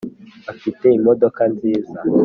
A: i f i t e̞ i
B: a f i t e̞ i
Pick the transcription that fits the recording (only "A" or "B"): B